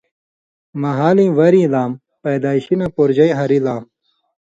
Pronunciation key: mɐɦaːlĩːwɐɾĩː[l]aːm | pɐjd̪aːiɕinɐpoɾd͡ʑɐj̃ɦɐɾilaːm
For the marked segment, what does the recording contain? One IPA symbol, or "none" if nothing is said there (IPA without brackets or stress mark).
l